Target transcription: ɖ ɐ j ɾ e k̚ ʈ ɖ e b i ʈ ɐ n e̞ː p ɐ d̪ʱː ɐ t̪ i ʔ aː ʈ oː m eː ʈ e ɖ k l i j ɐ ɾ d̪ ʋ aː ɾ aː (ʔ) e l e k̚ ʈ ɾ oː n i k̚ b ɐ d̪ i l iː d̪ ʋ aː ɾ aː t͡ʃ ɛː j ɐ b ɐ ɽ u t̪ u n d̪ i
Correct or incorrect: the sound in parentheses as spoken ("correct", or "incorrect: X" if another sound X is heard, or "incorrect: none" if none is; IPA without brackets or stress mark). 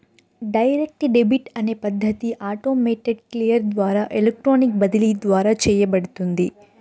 correct